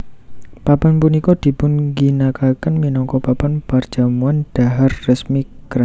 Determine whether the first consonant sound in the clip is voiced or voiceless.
voiceless